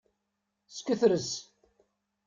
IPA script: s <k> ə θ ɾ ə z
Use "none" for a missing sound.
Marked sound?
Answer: k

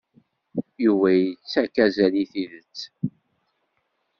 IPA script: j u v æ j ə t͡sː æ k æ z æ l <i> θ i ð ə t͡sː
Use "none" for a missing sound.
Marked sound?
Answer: i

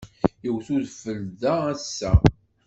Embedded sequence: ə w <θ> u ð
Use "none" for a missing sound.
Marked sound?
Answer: θ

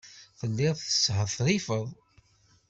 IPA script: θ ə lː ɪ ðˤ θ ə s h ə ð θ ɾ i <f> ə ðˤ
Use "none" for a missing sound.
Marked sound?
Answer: f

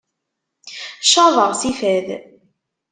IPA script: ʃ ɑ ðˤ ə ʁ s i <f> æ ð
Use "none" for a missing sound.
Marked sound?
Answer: f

